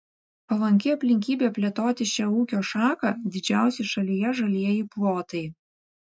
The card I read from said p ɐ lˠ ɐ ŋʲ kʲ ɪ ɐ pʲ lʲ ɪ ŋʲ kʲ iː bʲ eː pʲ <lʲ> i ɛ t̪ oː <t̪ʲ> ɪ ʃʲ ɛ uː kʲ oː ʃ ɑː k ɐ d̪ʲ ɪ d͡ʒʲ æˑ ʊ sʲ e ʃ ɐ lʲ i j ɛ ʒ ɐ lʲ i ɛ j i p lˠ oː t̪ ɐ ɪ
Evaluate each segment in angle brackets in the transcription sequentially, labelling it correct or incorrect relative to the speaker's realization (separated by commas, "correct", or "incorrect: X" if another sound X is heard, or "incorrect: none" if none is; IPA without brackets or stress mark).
correct, correct